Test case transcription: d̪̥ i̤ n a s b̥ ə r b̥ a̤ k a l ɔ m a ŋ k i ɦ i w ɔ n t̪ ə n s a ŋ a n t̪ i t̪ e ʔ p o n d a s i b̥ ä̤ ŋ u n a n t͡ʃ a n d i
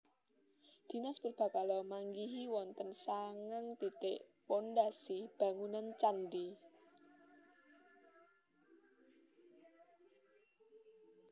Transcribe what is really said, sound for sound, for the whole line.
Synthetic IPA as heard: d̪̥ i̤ n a s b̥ ə r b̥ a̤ k a l ɔ m a ŋ ɡ i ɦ i w ɔ n t̪ ə n s a ŋ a ŋ t̪ i t̪ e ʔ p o n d a s i b̥ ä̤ ŋ u n a n t͡ʃ a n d i